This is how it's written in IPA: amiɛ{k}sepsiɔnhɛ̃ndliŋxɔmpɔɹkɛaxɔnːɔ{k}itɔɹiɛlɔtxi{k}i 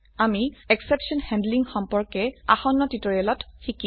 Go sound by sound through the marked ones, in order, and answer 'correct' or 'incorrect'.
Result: correct, incorrect, correct

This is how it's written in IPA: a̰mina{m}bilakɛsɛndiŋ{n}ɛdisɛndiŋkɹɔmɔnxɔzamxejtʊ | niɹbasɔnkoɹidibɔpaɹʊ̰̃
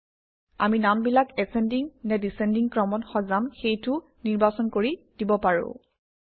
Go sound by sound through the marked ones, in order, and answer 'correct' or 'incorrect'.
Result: correct, correct

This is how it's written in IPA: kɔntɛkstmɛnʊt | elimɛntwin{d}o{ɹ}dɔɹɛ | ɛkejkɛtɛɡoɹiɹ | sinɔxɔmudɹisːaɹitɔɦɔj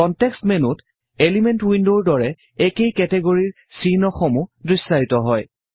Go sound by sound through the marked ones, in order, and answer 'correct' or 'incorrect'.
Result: correct, correct

